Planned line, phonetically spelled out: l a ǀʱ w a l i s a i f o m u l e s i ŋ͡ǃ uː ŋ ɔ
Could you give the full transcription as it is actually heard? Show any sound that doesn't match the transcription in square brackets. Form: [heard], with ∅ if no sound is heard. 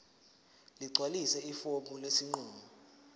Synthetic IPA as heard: l [i] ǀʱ w a l i s [ɛ] i f o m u l e s i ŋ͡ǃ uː [m] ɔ